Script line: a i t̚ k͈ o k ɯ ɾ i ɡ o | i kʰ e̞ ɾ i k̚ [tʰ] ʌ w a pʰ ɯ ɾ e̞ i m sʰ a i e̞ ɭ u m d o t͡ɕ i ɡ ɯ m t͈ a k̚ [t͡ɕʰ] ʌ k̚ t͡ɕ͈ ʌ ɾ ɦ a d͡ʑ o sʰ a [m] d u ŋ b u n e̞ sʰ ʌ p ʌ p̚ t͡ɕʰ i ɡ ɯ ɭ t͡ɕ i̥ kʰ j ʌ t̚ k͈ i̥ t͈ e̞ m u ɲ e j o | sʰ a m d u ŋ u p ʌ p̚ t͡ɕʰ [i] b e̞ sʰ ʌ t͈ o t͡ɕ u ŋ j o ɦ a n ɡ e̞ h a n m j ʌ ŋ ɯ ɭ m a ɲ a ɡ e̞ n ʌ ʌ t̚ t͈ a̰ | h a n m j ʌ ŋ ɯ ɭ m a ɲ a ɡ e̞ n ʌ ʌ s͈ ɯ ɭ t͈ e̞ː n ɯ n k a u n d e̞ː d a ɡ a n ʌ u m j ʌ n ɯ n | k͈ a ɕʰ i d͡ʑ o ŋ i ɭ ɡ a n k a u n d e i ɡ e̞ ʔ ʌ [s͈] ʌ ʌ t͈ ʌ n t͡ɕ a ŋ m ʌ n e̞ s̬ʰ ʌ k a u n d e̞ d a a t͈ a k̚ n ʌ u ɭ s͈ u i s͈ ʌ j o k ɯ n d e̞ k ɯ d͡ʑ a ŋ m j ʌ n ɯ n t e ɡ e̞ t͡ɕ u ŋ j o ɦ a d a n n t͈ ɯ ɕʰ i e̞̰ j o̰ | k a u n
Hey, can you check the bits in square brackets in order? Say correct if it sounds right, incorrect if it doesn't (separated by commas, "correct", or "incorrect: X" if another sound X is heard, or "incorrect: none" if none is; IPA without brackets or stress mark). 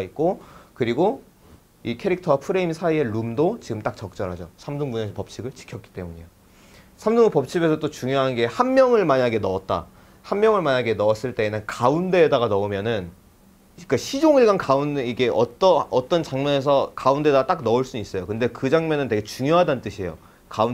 correct, incorrect: t͡ɕ, correct, correct, incorrect: t͈